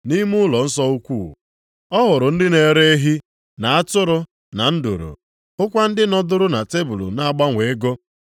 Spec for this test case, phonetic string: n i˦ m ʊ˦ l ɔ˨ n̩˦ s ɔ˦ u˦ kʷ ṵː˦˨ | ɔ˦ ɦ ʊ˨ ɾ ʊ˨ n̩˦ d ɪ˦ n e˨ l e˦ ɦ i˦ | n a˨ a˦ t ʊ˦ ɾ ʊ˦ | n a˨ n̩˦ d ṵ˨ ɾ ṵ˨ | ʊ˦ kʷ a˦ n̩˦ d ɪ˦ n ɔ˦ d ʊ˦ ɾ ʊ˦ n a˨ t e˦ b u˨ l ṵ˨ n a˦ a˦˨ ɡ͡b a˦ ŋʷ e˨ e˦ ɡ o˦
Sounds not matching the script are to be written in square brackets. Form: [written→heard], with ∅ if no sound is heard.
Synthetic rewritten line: n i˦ m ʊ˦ l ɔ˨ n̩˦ s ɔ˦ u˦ kʷ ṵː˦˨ | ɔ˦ ɦ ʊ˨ ɾ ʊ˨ n̩˦ d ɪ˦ n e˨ [l→ɾ] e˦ ɦ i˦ | n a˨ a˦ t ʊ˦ ɾ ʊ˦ | n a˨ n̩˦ d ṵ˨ ɾ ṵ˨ | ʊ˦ kʷ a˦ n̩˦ d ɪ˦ n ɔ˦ d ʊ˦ ɾ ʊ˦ n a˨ t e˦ b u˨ l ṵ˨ n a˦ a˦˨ ɡ͡b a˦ ŋʷ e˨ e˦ ɡ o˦